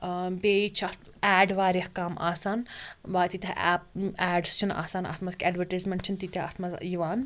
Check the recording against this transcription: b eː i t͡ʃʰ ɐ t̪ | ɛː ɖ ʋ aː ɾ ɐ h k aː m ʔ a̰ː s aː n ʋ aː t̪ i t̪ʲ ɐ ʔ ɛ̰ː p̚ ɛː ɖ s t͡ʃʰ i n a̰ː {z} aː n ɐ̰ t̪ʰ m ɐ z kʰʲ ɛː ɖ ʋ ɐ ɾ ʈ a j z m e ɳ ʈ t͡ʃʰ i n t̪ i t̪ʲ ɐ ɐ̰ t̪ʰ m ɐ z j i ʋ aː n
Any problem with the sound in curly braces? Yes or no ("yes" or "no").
yes